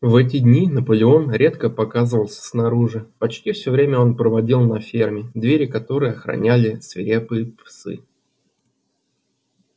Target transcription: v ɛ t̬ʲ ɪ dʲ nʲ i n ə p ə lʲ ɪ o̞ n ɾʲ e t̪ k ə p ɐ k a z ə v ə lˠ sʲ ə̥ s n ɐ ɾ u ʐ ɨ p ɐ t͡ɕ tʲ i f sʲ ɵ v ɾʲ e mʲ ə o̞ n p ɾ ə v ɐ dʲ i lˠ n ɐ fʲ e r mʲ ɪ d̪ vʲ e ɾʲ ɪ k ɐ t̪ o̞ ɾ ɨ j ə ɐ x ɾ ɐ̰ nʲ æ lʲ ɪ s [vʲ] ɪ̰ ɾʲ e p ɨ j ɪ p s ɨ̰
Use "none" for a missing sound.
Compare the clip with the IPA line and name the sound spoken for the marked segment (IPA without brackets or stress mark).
vʲ